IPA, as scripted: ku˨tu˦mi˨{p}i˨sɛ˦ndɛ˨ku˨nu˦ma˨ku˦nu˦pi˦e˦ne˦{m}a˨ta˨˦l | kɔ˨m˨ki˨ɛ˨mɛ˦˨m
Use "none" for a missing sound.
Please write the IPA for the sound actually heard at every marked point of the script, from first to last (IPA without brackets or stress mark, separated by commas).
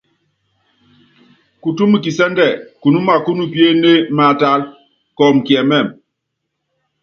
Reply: k, m